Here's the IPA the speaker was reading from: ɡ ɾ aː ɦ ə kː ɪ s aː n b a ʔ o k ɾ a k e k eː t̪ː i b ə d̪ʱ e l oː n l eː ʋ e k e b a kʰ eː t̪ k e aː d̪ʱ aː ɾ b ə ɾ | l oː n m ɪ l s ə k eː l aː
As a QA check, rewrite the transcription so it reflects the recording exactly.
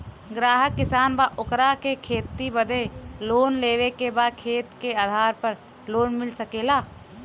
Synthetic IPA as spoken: ɡ ɾ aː ɦ ə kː ɪ s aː n b a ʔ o k ɾ a k e kʰ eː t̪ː i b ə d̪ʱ e l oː n l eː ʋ e k e b a kʰ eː t̪ k e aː d̪ʱ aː ɾ p ə ɾ | l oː n m ɪ l s ə k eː l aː